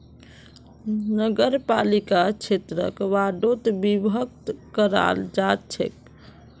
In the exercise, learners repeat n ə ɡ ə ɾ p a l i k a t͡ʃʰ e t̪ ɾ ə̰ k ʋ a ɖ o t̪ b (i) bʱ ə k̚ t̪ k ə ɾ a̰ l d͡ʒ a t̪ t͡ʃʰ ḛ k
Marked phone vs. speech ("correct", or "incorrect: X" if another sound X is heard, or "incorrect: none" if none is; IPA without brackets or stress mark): correct